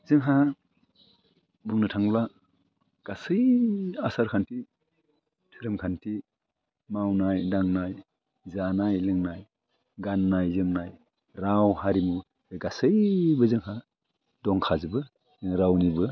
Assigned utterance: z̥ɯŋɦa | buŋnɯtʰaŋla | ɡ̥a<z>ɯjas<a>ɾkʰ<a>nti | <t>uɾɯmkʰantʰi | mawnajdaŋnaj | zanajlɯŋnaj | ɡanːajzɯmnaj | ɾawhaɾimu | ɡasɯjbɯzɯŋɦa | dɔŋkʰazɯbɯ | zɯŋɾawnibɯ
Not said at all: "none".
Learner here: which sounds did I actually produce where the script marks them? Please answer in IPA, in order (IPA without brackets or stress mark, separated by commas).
s, a, a, tʰ